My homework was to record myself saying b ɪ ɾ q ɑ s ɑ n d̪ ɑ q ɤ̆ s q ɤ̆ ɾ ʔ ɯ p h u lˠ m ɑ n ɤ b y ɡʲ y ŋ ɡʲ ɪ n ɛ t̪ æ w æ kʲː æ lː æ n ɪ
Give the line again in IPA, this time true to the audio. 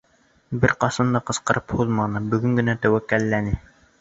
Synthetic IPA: b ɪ ɾ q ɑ s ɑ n d̪ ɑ q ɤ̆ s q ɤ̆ ɾ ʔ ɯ p h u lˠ m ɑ n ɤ b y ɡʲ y ŋ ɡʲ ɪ n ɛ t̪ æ w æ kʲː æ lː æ n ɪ